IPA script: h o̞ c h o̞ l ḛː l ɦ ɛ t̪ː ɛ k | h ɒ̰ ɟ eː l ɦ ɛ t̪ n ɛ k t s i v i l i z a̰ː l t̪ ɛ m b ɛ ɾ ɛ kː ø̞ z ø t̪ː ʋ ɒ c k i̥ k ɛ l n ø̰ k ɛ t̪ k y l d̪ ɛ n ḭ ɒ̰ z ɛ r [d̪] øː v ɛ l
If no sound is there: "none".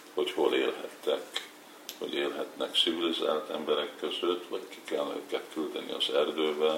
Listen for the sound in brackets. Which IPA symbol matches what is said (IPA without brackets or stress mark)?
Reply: d̪